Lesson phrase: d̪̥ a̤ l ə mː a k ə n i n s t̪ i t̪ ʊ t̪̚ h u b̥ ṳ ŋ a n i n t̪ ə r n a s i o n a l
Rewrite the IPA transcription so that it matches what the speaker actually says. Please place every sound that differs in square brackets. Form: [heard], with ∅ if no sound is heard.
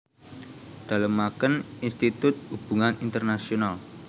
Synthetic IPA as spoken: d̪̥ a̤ l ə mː a k ə n i n s t̪ i t̪ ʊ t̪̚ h u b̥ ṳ ŋ a n i n t̪ ə r n a s i o n a l